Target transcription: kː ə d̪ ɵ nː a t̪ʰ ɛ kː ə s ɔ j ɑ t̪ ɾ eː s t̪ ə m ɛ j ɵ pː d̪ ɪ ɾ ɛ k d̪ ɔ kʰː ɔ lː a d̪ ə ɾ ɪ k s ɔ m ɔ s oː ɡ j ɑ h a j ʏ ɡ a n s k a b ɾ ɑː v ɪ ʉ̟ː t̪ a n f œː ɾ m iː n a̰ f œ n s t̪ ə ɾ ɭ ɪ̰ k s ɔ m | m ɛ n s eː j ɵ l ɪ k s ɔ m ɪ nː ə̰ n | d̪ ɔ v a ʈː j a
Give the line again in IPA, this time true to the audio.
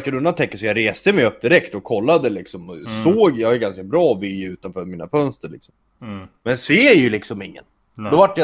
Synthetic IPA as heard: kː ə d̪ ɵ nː a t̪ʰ ɛ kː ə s ɔ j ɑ ɾ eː s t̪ ə m ɛ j ɵ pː d̪ ɪ ɾ ɛ k t̪ ɔ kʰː ɔ lː a d̪ ə l ɪ k s ɔ m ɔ s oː ɡ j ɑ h a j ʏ ɡ a n s k a b ɾ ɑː v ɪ ʉ̟ː t̪ a n f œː ɾ m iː n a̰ f œ n s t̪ ə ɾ ɭ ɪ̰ k s ɔ m | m ɛ n s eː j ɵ l ɪ k s ɔ m ɪ ŋː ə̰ n | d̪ ɔ v a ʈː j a